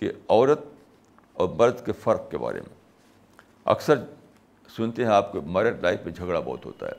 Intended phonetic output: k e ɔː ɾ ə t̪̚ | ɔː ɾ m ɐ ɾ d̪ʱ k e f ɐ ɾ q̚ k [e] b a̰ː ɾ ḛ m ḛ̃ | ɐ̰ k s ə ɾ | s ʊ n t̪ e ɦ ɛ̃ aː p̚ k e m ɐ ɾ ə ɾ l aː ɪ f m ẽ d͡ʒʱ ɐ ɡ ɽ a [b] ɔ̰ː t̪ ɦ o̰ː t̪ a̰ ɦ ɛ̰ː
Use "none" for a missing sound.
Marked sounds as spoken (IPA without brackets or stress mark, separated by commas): e, b